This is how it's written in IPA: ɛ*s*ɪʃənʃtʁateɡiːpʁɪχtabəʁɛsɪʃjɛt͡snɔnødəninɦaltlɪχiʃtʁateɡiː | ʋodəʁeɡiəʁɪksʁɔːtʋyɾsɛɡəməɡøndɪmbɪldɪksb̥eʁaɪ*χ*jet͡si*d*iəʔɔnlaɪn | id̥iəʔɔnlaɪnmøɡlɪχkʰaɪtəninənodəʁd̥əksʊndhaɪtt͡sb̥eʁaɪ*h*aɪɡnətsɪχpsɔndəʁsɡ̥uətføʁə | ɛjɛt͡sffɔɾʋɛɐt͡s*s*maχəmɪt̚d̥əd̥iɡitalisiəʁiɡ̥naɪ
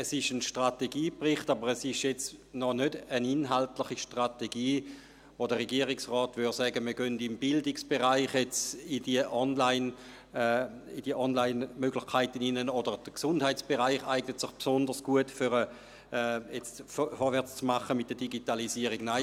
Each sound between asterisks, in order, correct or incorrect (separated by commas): correct, correct, correct, incorrect, incorrect